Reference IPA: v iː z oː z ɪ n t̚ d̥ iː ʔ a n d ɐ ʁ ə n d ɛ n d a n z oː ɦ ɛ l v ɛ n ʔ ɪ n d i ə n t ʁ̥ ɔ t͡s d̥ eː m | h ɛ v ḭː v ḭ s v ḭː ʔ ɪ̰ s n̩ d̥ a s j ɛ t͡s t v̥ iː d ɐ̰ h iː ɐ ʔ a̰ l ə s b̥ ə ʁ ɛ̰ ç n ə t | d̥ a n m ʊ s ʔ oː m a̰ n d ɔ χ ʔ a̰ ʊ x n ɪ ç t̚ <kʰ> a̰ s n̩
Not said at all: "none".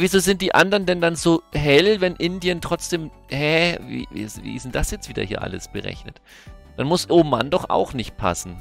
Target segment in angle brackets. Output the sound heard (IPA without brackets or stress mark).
pʰ